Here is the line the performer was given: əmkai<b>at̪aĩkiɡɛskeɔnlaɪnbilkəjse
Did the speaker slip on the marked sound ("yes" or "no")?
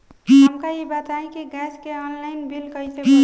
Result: no